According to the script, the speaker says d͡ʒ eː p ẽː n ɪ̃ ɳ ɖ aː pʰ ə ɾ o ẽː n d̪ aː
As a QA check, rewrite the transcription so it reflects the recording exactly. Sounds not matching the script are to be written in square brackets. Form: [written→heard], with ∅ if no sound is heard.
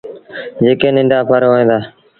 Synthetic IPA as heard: d͡ʒ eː [p→k] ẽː n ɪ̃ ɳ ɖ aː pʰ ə ɾ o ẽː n d̪ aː